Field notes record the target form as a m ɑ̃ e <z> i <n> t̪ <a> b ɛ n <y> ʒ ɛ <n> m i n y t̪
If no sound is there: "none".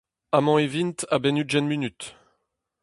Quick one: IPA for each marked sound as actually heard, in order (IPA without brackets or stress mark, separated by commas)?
v, n, a, y, n